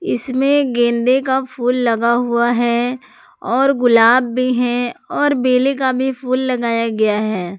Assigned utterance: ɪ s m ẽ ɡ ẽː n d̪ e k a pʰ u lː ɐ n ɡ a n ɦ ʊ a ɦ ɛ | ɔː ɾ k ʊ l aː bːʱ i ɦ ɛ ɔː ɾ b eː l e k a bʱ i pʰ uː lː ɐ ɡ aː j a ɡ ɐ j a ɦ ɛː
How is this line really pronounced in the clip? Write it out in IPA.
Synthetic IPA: ɪ s m ẽ ɡ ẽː n d̪ e k a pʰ uː lː ɐ ɡ a ɦ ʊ a ɦ ɛ | ɔː ɾ ɡ ʊ l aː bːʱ i ɦ ɛ ɔː ɾ b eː l e k a bʱ i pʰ uː lː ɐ ɡ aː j a ɡ ɐ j a ɦ ɛː